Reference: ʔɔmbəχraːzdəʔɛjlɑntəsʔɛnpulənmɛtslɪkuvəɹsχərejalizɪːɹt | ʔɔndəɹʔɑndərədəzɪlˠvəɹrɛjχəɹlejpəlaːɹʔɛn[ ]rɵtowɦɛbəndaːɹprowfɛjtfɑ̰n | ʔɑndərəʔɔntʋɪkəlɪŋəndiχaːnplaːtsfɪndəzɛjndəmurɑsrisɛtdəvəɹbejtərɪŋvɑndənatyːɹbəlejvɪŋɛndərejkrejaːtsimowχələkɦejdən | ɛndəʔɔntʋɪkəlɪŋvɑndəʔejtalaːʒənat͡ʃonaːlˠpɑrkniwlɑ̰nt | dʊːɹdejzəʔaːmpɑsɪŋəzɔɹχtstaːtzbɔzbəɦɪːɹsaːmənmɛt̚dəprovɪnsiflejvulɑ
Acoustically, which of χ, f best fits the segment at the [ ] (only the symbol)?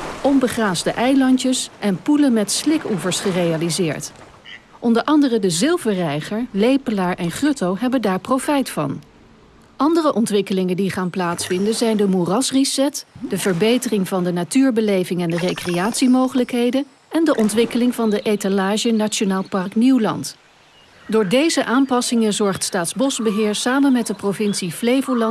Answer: χ